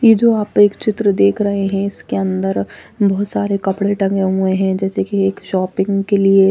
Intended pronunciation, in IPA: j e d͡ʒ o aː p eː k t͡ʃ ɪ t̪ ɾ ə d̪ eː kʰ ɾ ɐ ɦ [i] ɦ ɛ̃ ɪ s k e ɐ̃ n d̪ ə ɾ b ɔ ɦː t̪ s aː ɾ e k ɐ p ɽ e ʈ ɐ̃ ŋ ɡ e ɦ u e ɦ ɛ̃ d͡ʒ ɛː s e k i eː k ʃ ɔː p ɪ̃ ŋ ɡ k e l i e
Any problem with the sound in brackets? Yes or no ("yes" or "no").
yes